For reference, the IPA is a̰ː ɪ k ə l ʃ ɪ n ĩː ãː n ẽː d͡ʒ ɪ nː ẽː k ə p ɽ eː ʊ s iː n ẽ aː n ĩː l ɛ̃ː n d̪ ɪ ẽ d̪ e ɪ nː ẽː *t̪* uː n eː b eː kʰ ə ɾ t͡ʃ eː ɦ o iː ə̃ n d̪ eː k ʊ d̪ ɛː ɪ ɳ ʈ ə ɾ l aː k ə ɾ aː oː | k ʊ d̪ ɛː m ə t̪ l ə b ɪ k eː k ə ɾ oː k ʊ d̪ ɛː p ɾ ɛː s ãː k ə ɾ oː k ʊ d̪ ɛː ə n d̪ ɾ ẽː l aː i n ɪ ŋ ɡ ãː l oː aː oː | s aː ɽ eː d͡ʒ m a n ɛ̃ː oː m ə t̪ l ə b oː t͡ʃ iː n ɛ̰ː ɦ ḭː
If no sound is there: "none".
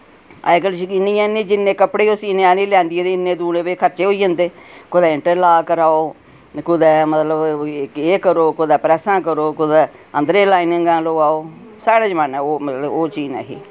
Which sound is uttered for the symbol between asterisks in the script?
d̪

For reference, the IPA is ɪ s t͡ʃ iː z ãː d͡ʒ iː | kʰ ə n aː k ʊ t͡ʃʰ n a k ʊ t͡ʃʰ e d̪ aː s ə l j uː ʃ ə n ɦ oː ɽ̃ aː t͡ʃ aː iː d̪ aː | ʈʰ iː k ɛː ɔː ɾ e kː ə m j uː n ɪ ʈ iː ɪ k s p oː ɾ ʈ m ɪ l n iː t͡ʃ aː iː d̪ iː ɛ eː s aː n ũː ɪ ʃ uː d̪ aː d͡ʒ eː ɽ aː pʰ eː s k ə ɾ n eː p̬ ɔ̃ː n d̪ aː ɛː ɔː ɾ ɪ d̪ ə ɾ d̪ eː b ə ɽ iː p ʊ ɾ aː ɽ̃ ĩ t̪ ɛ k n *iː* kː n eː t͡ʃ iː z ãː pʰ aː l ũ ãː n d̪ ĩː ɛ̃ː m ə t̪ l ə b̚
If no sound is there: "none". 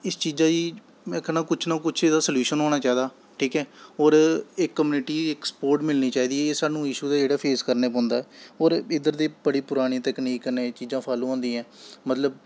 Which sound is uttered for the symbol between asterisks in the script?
iː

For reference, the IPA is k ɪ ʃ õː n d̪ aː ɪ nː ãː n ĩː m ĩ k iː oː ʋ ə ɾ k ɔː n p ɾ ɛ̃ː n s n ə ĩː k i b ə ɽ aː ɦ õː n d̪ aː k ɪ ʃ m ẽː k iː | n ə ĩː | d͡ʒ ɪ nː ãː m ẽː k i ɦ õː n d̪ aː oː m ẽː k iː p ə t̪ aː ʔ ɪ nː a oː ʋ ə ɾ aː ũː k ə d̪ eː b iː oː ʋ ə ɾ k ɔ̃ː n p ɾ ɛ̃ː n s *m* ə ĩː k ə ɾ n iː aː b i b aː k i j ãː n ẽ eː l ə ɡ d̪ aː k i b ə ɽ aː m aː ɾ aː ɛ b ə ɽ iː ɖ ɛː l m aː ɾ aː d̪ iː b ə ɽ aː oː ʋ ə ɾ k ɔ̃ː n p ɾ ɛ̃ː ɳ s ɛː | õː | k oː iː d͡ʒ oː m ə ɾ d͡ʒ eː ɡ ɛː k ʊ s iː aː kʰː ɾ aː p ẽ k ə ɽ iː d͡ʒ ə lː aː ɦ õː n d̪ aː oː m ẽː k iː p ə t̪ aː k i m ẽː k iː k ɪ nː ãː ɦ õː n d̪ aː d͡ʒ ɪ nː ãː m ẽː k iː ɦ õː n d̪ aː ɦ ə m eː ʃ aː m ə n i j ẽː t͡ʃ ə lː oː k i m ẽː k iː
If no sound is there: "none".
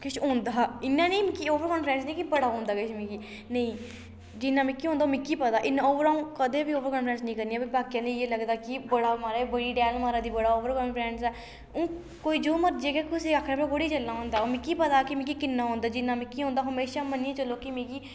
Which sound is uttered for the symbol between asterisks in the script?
n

